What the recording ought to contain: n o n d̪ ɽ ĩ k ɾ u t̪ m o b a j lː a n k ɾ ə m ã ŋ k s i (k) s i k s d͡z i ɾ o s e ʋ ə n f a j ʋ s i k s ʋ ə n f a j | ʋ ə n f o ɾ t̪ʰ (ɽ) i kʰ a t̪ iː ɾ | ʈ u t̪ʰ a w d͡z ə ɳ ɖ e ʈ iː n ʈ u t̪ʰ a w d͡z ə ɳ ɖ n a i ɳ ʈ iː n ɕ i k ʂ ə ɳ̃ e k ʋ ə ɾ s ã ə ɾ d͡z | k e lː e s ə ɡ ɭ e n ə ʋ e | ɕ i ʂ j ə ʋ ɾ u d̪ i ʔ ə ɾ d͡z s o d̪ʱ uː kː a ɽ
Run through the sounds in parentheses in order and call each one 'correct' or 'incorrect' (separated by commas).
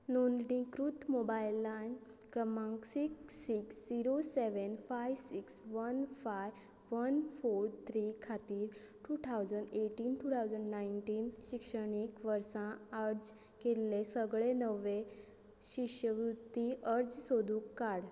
correct, incorrect